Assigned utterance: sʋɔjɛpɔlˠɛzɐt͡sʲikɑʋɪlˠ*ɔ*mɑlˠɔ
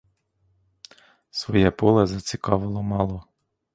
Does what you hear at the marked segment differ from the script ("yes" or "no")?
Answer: no